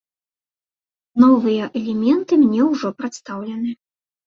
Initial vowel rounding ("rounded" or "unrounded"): rounded